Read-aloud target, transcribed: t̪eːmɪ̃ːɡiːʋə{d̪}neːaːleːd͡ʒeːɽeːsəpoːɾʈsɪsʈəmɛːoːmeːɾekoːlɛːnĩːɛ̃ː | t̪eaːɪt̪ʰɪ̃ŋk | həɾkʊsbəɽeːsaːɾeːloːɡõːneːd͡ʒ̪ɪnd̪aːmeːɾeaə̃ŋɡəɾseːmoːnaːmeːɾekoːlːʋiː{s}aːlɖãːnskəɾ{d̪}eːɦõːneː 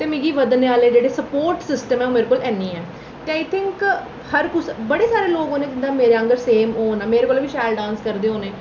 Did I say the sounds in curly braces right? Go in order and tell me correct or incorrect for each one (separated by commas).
correct, incorrect, correct